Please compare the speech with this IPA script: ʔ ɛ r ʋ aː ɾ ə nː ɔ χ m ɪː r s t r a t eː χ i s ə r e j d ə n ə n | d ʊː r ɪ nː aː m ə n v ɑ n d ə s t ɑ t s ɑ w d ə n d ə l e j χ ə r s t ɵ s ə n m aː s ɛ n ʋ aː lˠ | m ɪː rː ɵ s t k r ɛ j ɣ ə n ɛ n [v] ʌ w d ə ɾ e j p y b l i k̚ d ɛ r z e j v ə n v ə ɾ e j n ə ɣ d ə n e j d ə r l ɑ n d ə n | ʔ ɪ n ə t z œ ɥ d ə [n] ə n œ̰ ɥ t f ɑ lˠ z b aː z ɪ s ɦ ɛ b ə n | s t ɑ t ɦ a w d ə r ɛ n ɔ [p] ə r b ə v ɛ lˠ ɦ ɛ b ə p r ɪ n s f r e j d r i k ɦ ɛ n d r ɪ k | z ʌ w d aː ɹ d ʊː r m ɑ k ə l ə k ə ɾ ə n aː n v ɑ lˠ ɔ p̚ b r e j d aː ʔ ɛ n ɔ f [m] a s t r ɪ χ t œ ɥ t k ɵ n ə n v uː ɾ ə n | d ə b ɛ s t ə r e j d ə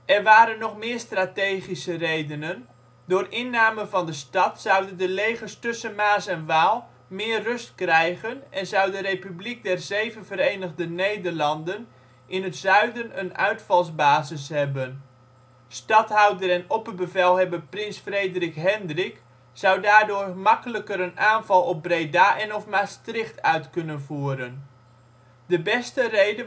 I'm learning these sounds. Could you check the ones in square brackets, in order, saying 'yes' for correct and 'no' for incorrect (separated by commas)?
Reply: no, yes, yes, yes